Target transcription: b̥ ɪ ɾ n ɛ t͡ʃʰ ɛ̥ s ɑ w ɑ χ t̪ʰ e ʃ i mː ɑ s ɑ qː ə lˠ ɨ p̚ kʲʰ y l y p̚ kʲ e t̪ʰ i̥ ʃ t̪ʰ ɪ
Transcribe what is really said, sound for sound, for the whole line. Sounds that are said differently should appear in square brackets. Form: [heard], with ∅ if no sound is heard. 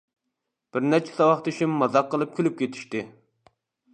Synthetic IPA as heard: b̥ ɪ ɾ n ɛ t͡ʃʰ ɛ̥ s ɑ w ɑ χ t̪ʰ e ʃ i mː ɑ [z] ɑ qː ə lˠ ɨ p̚ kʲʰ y l y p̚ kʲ e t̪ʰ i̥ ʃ [t̪] ɪ